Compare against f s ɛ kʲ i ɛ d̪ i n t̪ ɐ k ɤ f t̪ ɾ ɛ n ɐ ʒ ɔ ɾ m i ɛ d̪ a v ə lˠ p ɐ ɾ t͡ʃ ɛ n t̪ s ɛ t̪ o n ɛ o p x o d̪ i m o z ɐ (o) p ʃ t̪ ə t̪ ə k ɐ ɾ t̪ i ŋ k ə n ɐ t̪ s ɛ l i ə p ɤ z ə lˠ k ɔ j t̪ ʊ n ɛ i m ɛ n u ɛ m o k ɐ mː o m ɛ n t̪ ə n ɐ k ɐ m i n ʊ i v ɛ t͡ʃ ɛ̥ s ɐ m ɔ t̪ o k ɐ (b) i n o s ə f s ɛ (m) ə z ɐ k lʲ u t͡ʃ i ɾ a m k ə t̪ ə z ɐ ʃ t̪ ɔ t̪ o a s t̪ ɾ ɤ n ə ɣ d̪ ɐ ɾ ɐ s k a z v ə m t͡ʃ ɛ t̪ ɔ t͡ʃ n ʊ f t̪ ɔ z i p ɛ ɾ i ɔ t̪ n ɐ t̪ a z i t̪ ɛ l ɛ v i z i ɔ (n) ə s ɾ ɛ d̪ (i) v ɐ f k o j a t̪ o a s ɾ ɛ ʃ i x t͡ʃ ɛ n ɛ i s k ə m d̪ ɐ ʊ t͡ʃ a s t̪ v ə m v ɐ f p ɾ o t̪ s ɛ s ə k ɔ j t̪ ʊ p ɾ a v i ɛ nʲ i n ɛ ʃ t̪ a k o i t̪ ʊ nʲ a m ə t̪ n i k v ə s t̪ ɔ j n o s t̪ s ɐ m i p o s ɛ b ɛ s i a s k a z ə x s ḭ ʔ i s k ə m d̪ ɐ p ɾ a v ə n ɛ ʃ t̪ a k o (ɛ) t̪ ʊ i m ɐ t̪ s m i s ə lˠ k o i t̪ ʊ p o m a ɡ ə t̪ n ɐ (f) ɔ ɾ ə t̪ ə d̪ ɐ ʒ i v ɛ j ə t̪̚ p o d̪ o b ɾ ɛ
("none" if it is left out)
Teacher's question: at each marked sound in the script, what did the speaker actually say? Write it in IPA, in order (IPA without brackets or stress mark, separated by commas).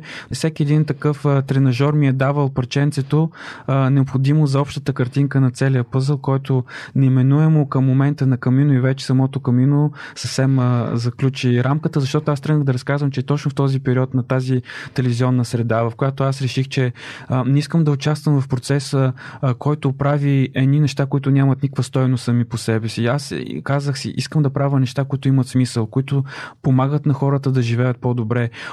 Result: ɔ, m, m, nː, a, i, x